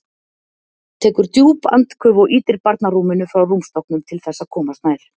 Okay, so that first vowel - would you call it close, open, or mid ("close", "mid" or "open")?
mid